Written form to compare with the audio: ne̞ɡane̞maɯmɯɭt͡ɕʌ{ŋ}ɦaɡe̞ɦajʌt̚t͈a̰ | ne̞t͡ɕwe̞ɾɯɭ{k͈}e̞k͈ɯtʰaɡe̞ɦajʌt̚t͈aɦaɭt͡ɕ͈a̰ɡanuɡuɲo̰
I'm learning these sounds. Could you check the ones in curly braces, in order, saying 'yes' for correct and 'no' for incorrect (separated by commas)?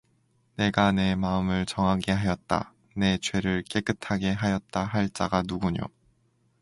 yes, yes